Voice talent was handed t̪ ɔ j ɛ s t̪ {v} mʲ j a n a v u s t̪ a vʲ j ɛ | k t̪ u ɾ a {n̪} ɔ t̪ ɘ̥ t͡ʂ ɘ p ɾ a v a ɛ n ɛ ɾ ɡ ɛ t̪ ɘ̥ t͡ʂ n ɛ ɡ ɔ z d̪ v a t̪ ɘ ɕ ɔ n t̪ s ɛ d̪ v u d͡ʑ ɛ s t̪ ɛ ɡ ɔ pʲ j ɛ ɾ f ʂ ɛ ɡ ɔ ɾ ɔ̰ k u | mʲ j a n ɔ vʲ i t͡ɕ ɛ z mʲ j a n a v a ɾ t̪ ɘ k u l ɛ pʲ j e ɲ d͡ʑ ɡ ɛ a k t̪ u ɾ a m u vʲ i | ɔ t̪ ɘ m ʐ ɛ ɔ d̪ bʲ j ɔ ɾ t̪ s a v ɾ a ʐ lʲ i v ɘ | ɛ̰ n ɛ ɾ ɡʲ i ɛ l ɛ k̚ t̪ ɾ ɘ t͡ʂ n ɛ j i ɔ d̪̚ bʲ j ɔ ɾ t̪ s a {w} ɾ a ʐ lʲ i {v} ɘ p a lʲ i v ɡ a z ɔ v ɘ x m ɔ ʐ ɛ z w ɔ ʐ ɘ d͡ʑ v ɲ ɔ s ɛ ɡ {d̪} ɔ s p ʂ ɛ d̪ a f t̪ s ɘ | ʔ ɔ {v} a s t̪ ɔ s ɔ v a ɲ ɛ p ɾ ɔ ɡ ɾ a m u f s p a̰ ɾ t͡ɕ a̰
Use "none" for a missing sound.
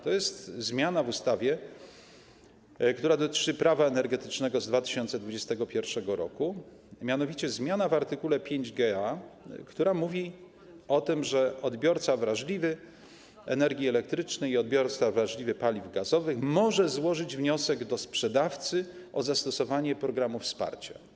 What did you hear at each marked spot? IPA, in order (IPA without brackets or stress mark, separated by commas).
z, d̪, v, v, d̪, z